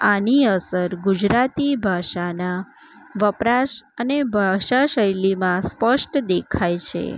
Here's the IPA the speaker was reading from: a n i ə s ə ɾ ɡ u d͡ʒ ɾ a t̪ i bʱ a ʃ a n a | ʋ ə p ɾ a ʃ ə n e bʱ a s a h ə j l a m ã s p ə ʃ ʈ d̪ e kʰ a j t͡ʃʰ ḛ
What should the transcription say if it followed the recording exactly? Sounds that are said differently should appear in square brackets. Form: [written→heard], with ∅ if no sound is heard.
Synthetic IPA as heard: a n i ə s ə ɾ ɡ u d͡ʒ ɾ a t̪ i bʱ a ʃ a n a | ʋ ə p ɾ a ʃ ə n e bʱ a [s→ʃ] a [h→ʃ] ə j l [a→i] m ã s p ə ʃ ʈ d̪ e kʰ a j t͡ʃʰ ḛ

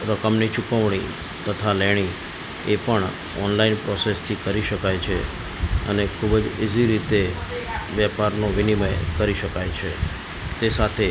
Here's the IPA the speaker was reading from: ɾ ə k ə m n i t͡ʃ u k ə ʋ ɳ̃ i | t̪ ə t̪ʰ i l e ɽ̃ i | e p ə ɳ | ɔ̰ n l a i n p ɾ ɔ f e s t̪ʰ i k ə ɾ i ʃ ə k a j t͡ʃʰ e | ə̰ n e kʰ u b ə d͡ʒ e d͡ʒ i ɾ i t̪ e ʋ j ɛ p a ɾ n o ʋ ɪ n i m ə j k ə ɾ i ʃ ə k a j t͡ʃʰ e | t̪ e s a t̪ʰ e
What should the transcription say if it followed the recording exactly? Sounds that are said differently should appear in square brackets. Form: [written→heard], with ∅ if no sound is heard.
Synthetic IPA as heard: ɾ ə k ə m n i t͡ʃ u k ə ʋ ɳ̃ i | t̪ ə t̪ʰ [i→a] l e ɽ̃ i | e p ə ɳ | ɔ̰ n l a i n p ɾ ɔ [f→s] e s t̪ʰ i k ə ɾ i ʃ ə k a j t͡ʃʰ e | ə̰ n e kʰ u b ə d͡ʒ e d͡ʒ i ɾ i t̪ e ʋ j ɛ p a ɾ n o ʋ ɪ n i m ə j k ə ɾ i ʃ ə k a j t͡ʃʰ e | t̪ e s a t̪ʰ e

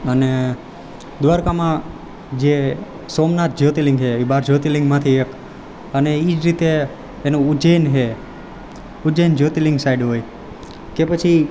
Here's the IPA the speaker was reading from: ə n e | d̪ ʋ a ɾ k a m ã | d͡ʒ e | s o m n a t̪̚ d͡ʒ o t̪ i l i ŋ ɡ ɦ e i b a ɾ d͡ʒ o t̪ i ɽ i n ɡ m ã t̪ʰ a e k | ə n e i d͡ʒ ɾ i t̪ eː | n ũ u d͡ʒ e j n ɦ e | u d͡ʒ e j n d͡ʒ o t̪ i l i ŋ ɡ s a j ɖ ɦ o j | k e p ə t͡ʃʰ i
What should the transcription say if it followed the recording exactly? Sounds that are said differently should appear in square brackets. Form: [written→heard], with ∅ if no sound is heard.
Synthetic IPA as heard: ə n e | d̪ ʋ a ɾ k a m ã | d͡ʒ e | s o m n a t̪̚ d͡ʒ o t̪ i l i ŋ ɡ ɦ e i b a ɾ d͡ʒ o t̪ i [ɽ→l] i [n→ŋ] ɡ m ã t̪ʰ [a→i] e k | ə n e i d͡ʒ ɾ i t̪ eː | n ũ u d͡ʒ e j n ɦ e | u d͡ʒ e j n d͡ʒ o t̪ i l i ŋ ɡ s a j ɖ ɦ o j | k e p ə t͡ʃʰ i

